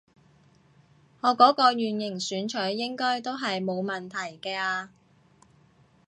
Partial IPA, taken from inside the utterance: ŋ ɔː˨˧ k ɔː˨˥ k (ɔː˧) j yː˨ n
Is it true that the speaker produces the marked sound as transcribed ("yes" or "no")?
yes